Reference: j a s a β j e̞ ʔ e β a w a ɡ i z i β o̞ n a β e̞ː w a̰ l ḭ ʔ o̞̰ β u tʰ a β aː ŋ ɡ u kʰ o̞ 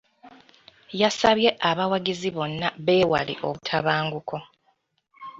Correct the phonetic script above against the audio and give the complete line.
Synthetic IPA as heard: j a s a β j e̞ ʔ a β a w a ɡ i z i β o̞ nː a β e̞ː w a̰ l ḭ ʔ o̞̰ β u tʰ a β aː ŋ ɡ u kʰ o̞

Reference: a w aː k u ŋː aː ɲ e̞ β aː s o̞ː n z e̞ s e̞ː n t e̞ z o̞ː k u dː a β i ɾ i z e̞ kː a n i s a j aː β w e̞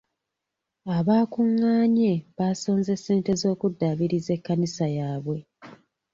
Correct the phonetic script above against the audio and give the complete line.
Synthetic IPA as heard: a β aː k u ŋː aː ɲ e̞ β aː s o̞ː n z e̞ s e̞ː n t e̞ z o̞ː k u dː a β i ɾ i z e̞ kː a n i s a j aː β w e̞

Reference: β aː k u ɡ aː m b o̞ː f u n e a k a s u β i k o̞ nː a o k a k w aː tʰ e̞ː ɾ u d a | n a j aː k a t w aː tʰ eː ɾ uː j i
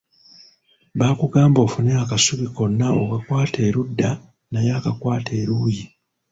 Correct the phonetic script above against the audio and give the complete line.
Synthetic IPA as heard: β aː k u ɡ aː m b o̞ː f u n e a k a s u β i k o̞ nː a o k a k w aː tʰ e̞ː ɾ u dː a | n a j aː k a k w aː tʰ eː ɾ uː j i

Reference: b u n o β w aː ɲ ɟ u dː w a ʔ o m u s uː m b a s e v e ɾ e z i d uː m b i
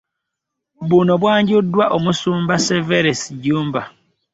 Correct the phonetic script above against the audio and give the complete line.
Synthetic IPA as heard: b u n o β w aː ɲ ɟ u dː w a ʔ o m u s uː m b a s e v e ɾ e s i ɟ uː m b a

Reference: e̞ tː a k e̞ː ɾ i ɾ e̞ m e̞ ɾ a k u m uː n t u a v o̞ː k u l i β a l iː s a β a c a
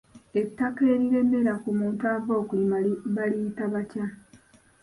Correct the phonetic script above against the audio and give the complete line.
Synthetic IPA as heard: e̞ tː a k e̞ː ɾ i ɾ e̞ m e̞ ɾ a k u m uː n t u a v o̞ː k u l i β a l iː t a β a c a

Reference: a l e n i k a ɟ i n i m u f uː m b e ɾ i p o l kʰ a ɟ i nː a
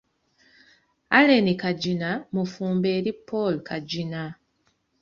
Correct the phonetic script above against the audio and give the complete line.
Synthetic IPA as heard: a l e n i k a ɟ i n a m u f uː m b e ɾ i p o l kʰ a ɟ i n a

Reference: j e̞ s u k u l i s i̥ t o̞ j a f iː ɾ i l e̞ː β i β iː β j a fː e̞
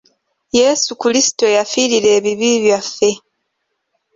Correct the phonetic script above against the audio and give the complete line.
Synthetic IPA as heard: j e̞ s u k u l i s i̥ t o̞ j a f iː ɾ i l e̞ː β i β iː β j a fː e̞

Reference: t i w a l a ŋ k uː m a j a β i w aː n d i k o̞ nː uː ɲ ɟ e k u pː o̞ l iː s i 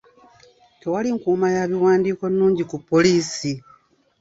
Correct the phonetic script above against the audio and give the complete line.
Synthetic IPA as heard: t e w a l i ŋ k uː m a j a β i w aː n d iː k o̞ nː uː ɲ ɟ i k u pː o̞ l iː s i

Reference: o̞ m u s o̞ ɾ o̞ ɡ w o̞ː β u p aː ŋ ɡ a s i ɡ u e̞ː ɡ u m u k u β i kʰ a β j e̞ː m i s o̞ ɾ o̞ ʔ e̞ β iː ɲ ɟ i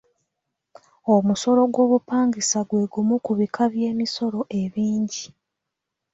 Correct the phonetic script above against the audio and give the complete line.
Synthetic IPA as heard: o̞ m u s o̞ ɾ o̞ ɡ w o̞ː β u p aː ŋ ɡ i s a ɡ w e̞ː ɡ u m u k u β i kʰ a β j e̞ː m i s o̞ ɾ o̞ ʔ e̞ β iː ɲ ɟ i

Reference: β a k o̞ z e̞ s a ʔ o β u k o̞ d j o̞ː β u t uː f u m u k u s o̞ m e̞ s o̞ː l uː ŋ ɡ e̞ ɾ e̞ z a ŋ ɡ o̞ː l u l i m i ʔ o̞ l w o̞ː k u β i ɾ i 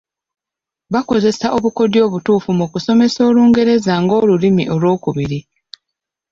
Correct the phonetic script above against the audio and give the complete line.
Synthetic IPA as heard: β a k o̞ z e̞ s a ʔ o β u k o̞ d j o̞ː β u t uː f u m u k u s o̞ m e̞ s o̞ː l uː ŋ ɡ e̞ ɾ e̞ z a ŋ ɡ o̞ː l u l i m i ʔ o̞ l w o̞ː k u β i ɾ i

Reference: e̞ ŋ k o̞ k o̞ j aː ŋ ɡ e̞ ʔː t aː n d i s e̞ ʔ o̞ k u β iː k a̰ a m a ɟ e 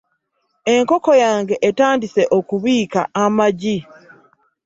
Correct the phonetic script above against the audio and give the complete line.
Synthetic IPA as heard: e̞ ŋ k o̞ k o̞ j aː ŋ ɡ e̞ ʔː t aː n d i s e̞ ʔ o̞ k u β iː k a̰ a m a ɟ i

